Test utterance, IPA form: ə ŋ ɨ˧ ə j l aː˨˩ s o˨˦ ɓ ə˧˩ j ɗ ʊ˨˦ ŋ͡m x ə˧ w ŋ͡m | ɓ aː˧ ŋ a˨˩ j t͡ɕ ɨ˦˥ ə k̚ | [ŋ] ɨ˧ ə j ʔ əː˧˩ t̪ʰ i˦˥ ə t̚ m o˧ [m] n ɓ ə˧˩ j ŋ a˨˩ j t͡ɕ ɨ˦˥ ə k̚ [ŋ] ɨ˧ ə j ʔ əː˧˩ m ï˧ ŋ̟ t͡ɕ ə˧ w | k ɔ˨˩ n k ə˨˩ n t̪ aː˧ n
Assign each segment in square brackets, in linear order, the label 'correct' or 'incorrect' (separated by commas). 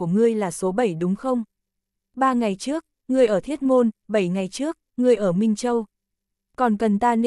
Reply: correct, incorrect, correct